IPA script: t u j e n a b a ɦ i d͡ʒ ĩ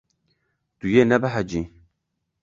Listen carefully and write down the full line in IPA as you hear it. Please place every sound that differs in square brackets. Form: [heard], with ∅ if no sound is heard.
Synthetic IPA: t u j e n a b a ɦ [a] d͡ʒ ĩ